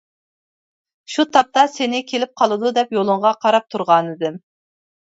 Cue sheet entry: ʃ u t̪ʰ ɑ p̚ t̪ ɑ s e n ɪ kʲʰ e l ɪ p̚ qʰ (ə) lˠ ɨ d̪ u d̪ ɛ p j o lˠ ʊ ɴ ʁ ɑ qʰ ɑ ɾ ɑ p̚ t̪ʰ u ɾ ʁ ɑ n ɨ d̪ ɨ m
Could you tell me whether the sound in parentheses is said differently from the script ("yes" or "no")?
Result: yes